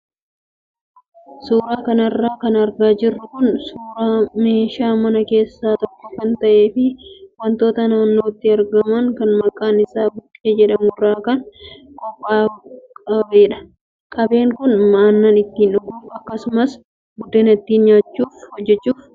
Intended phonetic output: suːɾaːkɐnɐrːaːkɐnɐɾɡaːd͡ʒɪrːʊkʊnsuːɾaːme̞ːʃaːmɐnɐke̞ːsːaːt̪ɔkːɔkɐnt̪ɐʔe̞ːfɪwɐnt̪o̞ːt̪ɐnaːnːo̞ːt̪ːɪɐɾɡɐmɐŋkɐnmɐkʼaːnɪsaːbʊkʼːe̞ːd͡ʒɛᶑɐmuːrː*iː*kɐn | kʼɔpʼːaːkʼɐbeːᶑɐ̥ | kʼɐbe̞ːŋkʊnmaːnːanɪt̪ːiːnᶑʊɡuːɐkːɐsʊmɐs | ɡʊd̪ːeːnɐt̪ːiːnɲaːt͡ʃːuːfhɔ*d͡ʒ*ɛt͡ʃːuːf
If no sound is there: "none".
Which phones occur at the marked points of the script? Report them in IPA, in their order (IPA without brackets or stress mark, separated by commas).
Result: aː, d͡ʒː